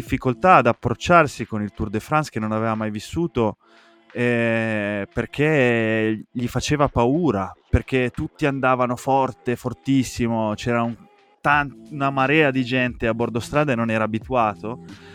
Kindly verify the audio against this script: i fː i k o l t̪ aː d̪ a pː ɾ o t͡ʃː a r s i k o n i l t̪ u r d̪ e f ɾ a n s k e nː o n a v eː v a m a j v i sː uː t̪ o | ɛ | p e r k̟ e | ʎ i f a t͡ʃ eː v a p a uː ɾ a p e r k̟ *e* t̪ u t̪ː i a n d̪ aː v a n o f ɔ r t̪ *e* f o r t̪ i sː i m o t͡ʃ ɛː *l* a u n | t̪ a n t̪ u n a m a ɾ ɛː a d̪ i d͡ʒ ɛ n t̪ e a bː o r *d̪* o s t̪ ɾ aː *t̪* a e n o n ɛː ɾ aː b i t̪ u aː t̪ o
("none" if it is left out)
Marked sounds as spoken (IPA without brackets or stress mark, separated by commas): e, e, ɾ, d̪, d̪